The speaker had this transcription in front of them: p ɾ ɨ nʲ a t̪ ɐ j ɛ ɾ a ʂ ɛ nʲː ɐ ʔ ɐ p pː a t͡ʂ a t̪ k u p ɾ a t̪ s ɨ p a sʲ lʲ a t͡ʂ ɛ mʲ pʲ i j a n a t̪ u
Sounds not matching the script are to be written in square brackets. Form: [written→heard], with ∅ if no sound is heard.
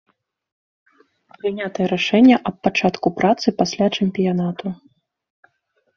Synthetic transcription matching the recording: p ɾ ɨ nʲ a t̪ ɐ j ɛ ɾ a ʂ ɛ nʲː ɐ ʔ ɐ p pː a t͡ʂ a t̪ k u p ɾ a t̪ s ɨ p a sʲ lʲ a t͡ʂ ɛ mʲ pʲ i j a n a t̪ u